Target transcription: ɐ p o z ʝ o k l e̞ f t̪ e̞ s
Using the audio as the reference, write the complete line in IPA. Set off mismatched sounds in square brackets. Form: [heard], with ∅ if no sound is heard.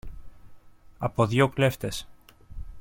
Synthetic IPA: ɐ p o [ð] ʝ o k l e̞ f t̪ e̞ s